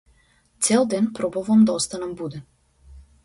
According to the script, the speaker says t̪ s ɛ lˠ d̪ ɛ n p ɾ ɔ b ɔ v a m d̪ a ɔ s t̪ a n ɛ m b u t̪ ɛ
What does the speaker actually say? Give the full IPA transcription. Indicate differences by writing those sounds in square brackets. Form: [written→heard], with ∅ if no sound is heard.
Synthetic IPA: t̪ s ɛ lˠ d̪ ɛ n p ɾ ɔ b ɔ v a m d̪ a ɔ s t̪ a n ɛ m b u [t̪→d̪] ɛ